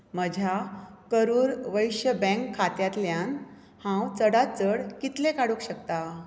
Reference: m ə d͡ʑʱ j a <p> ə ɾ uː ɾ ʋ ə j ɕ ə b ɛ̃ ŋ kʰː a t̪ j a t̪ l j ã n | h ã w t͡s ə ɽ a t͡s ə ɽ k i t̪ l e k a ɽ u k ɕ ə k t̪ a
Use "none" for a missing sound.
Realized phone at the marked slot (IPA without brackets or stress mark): k